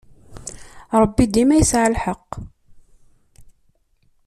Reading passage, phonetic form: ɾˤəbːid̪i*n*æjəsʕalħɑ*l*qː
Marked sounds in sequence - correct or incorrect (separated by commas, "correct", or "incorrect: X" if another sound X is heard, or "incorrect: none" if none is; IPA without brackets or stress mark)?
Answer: incorrect: m, incorrect: none